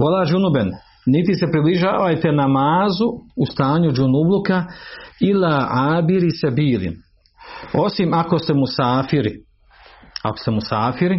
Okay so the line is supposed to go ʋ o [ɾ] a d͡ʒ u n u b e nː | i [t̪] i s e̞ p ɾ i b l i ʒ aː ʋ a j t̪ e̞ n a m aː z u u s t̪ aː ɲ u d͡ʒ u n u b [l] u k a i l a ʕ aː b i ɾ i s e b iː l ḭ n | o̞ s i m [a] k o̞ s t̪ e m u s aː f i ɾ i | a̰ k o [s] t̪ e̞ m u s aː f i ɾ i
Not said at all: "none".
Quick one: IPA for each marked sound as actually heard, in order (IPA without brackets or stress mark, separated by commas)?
l, t̪, l, a, s